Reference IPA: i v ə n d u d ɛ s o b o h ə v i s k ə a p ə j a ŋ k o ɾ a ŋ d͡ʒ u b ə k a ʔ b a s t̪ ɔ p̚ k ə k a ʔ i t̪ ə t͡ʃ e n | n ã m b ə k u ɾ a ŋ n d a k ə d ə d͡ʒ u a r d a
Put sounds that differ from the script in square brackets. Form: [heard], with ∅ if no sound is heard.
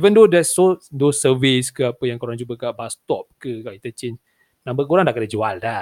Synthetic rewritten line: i v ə n d [o] d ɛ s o [d] o [s] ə v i s k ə a p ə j a ŋ k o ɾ a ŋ d͡ʒ u b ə k a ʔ b a s t̪ ɔ p̚ k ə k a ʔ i t̪ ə t͡ʃ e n | n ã m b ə k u ɾ a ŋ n d a k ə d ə d͡ʒ u a [l] d a